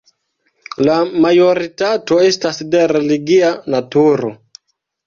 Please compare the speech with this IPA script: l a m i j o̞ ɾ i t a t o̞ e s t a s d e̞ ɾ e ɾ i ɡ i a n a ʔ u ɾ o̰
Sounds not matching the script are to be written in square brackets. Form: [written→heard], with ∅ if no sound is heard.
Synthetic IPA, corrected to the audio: l a m [i→a] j o̞ ɾ i t a t o̞ e s t a s d e̞ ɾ e [ɾ→l] i ɡ i a n a [ʔ→t] u ɾ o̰